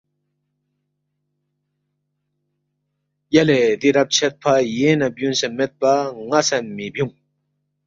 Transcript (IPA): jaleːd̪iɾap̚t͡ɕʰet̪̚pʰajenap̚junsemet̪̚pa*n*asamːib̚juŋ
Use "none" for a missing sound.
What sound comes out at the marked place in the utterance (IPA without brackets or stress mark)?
ŋ